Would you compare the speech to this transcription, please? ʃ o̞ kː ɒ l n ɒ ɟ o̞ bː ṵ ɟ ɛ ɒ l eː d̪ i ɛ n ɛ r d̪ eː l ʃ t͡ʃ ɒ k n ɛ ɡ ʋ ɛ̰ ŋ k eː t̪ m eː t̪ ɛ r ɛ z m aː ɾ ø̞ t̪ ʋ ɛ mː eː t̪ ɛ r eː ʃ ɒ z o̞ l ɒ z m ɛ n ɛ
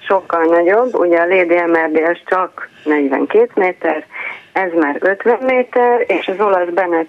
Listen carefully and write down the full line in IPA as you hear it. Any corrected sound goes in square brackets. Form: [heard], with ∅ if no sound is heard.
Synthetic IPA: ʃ o̞ kː ɒ l n ɒ ɟ o̞ bː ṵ ɟ ɛ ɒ l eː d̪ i ɛ [m] ɛ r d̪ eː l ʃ t͡ʃ ɒ k n ɛ [ɟ] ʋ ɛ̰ ŋ k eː t̪ m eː t̪ ɛ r ɛ z m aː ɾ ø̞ t̪ ʋ ɛ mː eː t̪ ɛ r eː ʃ ɒ z o̞ l ɒ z [b] ɛ n ɛ